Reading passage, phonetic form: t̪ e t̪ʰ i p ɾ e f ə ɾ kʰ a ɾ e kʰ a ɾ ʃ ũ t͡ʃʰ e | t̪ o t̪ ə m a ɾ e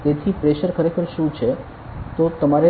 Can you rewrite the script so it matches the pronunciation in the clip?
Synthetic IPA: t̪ e t̪ʰ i p ɾ e ʃ ə ɾ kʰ ə ɾ e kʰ ə ɾ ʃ ũ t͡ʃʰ e | t̪ o t̪ ə m a ɾ e